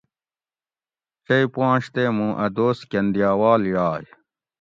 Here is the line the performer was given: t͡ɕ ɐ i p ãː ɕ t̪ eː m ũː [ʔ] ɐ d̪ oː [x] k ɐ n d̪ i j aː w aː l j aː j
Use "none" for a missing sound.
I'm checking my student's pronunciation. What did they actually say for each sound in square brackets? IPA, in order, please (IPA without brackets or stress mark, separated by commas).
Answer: ʔ, s